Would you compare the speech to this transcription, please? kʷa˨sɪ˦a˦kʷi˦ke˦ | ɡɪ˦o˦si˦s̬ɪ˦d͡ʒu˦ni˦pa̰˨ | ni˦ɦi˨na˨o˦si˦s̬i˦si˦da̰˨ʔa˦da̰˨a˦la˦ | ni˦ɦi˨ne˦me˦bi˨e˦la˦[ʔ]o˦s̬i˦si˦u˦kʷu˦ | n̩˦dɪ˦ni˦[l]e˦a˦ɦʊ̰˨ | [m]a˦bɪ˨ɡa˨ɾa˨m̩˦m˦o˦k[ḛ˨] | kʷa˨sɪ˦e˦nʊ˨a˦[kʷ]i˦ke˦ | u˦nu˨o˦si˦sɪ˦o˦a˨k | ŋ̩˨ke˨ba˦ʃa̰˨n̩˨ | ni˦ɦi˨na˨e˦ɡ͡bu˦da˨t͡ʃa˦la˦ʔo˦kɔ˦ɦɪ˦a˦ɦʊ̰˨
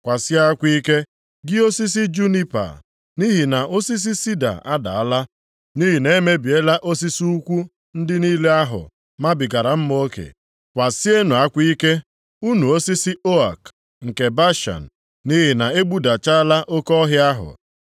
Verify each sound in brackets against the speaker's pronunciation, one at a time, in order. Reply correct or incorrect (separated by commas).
correct, correct, correct, correct, correct